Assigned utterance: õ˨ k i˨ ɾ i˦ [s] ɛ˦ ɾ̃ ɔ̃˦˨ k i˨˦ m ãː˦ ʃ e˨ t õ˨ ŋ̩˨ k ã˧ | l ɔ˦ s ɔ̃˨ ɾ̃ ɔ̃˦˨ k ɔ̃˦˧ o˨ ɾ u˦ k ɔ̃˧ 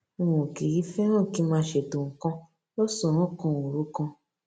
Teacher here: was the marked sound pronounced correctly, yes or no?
no